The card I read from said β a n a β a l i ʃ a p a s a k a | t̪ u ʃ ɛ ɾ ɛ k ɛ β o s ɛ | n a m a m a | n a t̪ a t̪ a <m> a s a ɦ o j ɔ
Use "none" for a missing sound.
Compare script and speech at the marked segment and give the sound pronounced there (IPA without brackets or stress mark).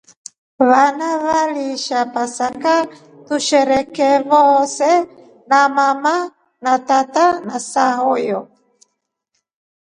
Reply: n